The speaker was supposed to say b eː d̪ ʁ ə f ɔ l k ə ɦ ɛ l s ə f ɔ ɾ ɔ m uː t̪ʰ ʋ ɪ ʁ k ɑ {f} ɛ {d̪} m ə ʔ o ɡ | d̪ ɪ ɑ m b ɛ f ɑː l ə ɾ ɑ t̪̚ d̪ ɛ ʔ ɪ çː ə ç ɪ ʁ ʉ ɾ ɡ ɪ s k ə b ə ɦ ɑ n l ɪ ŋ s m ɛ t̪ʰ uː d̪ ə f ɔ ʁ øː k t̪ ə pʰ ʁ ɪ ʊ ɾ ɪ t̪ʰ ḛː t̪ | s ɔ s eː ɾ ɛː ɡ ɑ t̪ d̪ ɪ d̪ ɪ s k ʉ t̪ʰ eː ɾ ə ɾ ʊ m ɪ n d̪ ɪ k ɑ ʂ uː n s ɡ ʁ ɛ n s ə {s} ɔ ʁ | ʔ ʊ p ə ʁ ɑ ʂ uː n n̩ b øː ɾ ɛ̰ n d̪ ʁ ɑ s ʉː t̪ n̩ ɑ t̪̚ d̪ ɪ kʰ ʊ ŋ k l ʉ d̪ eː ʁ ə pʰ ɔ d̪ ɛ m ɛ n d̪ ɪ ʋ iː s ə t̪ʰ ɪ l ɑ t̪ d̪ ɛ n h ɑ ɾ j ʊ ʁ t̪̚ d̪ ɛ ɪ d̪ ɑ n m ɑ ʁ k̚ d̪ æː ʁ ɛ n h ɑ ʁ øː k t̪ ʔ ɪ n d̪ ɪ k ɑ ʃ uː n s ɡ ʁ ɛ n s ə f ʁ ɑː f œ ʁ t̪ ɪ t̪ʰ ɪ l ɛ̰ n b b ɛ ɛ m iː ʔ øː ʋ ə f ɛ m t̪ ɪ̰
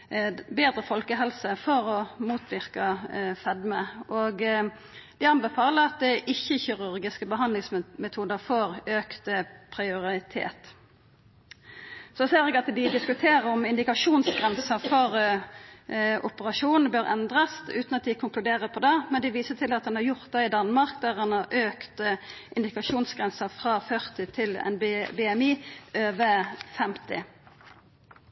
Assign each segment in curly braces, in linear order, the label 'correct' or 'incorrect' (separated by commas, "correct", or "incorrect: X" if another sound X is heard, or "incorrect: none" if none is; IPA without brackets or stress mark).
correct, correct, incorrect: f